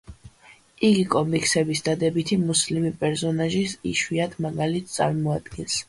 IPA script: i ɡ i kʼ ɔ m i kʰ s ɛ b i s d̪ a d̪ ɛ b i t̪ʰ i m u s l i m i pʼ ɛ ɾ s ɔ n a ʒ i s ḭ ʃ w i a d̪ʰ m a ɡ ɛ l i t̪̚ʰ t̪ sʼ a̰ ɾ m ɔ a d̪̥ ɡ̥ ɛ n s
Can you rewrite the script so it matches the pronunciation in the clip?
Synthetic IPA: i ɡ i kʼ ɔ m i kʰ s ɛ b i s d̪ a d̪ ɛ b i t̪ʰ i m u s l i m i pʼ ɛ ɾ s ɔ n a ʒ i s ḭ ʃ w i a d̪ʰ m a ɡ a l i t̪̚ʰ t̪ sʼ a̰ ɾ m ɔ a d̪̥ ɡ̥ ɛ n s